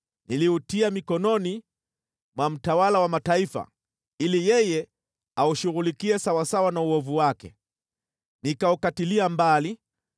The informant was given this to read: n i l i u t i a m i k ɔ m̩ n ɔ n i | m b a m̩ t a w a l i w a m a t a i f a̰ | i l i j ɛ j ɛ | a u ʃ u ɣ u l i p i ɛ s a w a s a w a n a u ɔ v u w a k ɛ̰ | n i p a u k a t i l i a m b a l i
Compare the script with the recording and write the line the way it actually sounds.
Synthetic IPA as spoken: n i l i u t i a m i k ɔ n ɔ n i | m w a m̩ t a w a l a w a m a t a i f a̰ | i l i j ɛ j ɛ | a u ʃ u ɣ u l i k i ɛ s a w a s a w a n a u ɔ v u w a k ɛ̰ | n i k a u k a t i l i a m b a l i